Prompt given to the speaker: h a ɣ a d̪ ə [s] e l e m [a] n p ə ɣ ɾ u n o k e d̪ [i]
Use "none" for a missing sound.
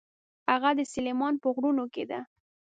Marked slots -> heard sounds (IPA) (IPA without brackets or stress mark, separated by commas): s, ɑ, a